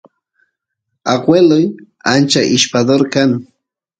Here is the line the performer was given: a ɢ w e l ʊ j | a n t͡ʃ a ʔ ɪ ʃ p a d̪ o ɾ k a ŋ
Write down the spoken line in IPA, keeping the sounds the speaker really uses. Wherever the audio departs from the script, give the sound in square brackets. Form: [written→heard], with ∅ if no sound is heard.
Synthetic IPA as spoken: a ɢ w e l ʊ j | a n t͡ʃ a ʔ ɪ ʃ p a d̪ o ɾ k a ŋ